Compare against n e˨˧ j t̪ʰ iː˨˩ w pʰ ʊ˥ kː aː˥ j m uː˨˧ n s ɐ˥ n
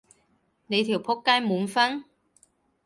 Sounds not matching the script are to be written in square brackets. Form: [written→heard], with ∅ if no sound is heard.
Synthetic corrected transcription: n e˨˧ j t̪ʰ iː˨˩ w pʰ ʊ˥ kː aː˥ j m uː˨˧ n [s→f] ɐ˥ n